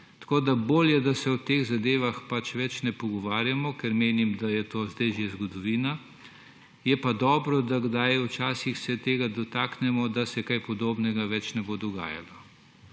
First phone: t̪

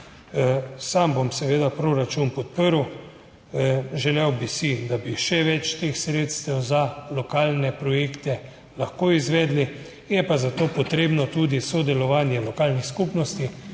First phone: s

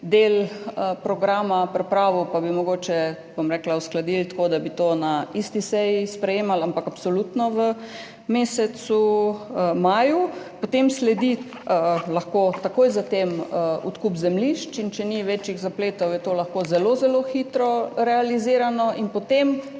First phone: d̪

